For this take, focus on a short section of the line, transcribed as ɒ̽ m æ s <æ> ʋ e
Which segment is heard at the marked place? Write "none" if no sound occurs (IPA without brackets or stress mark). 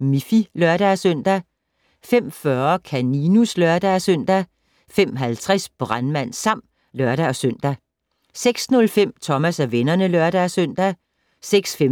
æ